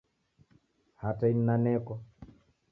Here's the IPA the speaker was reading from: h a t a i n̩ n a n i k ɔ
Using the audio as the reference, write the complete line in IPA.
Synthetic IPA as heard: h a t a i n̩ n a n ɛ k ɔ